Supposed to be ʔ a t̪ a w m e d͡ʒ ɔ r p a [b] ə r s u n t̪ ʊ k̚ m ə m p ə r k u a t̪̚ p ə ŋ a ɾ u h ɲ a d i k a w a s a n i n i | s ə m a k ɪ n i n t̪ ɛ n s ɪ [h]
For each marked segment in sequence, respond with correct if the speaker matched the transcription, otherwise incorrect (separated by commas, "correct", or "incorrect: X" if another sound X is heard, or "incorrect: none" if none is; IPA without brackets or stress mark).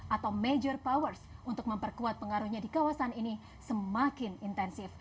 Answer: incorrect: w, incorrect: f